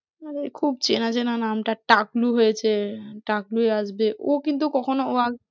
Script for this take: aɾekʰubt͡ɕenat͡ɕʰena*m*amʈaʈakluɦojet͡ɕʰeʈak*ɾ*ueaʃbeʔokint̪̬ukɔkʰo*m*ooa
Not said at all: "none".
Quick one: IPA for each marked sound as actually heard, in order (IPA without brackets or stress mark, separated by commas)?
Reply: n, l, n